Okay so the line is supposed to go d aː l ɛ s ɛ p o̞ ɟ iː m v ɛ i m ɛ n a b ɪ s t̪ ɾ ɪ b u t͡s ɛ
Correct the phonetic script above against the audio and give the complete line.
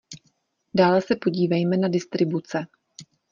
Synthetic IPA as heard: d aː l ɛ s ɛ p o̞ ɟ iː v ɛ j m ɛ n a d ɪ s t̪ ɾ ɪ b u t͡s ɛ